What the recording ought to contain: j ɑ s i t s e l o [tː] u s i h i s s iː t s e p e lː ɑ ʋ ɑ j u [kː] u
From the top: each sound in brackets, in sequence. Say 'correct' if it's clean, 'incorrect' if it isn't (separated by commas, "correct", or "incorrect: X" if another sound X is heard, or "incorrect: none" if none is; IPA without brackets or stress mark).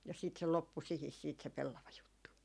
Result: incorrect: pː, incorrect: tː